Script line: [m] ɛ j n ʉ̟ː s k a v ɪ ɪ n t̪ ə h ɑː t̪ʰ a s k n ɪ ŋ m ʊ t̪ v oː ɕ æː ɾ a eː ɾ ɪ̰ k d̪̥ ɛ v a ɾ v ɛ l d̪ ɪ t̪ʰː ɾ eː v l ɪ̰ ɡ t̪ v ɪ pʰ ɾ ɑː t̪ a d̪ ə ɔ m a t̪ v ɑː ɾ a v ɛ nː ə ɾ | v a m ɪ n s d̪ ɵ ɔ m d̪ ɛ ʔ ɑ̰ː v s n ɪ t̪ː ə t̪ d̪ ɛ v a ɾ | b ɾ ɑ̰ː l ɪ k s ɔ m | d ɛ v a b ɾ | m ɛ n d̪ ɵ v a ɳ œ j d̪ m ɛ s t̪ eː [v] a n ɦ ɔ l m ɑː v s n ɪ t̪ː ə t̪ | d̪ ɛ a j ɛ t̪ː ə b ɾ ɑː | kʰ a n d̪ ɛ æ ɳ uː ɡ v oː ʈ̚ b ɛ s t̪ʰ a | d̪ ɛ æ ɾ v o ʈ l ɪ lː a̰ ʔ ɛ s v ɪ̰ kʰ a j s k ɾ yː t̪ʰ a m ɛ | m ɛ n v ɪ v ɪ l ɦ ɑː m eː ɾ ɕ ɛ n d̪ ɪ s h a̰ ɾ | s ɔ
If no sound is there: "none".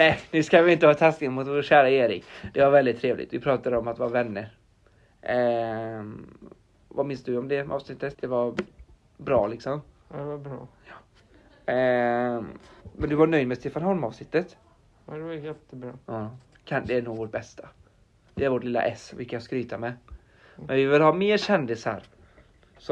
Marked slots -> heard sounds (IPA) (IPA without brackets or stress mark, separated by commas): n, f